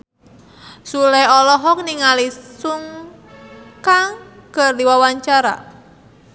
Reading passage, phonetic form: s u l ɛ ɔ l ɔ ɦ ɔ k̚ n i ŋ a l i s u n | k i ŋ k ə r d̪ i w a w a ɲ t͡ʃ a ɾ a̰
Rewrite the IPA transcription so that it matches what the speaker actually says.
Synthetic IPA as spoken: s u l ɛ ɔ l ɔ ɦ ɔ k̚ n i ŋ a l i s u ŋ | k a ŋ k ə r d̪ i w a w a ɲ t͡ʃ a ɾ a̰